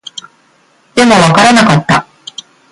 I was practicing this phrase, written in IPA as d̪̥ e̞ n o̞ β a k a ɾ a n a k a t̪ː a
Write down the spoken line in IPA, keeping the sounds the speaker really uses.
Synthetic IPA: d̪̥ e̞ m o̞ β a k a ɾ a n a k a t̪ː a